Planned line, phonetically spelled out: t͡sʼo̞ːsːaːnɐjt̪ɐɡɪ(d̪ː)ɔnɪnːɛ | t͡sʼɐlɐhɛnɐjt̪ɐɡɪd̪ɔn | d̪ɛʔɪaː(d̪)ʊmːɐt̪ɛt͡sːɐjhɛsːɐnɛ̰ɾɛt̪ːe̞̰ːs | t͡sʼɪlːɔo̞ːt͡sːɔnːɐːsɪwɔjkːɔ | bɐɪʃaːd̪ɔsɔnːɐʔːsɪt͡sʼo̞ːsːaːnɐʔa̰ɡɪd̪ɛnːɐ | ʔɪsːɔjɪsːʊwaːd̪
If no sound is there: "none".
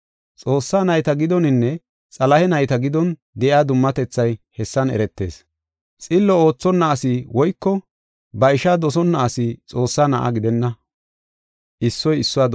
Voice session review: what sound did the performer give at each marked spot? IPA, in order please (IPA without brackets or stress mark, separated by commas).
d̪, d̪